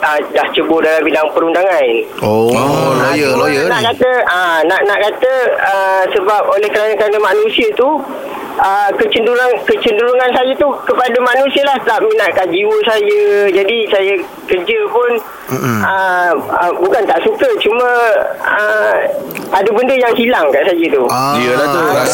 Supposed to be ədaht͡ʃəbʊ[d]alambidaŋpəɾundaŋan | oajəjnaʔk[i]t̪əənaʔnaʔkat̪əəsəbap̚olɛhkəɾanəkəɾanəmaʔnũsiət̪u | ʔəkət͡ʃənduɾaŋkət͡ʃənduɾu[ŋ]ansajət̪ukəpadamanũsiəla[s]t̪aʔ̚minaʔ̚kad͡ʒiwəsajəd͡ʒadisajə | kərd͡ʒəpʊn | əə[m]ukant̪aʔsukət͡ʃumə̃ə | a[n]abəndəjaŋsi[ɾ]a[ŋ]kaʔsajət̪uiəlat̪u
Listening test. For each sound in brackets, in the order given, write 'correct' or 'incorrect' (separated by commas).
correct, incorrect, correct, incorrect, incorrect, incorrect, incorrect, correct